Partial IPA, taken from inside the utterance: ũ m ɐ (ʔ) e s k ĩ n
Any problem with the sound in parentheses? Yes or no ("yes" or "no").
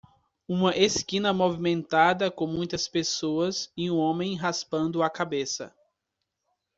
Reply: no